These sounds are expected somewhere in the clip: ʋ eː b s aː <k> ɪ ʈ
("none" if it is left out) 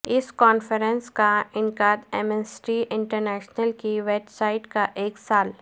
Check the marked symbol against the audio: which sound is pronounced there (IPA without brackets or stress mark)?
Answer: none